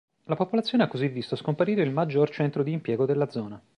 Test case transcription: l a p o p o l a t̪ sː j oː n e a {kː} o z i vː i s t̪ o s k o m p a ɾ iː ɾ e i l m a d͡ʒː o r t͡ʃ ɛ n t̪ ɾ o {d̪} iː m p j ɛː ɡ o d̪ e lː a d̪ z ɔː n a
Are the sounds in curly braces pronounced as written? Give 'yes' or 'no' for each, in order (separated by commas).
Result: yes, yes